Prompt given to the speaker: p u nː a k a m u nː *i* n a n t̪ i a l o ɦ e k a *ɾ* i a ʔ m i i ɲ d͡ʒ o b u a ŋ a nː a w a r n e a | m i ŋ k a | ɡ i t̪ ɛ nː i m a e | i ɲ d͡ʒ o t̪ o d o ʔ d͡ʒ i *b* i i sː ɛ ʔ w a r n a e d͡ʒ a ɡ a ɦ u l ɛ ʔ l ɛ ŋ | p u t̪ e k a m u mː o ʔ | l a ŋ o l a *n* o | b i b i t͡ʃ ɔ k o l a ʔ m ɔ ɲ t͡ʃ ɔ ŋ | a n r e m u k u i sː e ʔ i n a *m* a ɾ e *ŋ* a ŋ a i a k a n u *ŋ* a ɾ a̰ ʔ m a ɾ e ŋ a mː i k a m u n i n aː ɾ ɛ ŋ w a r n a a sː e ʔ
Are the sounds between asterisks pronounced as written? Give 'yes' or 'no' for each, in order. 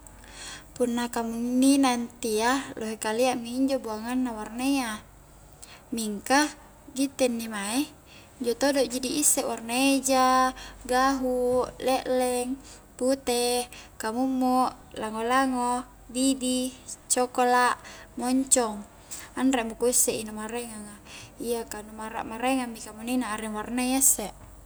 yes, no, no, no, yes, yes, no

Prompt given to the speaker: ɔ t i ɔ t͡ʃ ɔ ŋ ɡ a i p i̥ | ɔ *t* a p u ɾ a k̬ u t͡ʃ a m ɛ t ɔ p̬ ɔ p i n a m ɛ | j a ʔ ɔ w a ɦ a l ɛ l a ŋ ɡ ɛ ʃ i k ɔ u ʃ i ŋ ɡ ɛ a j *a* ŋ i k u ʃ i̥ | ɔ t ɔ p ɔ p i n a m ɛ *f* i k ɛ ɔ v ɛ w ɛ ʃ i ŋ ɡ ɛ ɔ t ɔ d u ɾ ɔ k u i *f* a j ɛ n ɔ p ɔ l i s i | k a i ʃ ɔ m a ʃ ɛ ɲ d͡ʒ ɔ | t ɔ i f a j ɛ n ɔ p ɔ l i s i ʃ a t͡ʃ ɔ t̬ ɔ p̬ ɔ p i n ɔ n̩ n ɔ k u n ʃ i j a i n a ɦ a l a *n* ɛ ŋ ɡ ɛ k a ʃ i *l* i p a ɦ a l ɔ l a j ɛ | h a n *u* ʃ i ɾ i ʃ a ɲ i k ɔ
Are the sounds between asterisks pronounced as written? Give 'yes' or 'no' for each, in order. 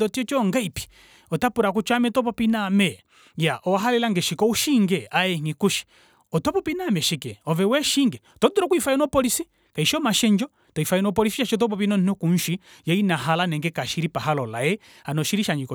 yes, no, no, yes, yes, no, no

